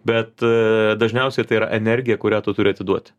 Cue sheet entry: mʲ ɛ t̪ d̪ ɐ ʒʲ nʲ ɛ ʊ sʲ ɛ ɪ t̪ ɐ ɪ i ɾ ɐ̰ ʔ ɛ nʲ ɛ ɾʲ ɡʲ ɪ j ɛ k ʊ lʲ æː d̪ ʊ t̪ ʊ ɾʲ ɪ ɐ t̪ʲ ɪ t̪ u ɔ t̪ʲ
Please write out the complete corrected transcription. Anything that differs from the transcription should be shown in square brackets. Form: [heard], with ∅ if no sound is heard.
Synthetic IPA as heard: [bʲ] ɛ t̪ d̪ ɐ ʒʲ nʲ ɛ ʊ sʲ ɛ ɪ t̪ ɐ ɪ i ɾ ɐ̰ ʔ ɛ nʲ ɛ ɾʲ ɡʲ ɪ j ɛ k ʊ [ɾʲ] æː [t̪] ʊ t̪ ʊ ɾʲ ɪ ɐ t̪ʲ ɪ [d̪] u ɔ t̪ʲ